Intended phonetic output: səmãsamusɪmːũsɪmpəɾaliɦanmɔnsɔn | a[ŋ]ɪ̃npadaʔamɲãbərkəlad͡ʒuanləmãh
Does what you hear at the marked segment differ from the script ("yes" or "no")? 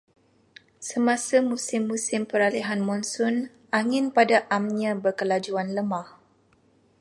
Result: no